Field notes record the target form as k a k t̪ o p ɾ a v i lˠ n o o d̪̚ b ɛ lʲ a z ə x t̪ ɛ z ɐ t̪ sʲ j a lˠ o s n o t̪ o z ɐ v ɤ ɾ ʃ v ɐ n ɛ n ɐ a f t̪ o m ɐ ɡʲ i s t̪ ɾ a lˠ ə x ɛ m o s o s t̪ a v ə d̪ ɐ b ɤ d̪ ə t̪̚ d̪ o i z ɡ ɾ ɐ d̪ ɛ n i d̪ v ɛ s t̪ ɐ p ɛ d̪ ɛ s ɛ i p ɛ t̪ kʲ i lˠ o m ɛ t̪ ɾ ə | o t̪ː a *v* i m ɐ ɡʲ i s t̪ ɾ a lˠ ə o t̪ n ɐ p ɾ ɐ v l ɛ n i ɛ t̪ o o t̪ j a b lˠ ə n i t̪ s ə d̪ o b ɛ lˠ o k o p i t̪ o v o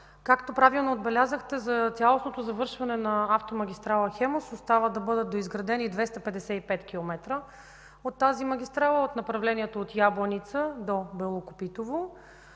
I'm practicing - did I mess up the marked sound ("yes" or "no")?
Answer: yes